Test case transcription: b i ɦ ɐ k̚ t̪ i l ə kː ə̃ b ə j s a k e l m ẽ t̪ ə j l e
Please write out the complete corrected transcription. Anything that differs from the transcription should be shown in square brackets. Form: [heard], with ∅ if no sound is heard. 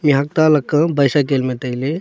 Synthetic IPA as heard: [m] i ɦ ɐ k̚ t̪ [a] l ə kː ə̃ b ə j s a k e l m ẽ t̪ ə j l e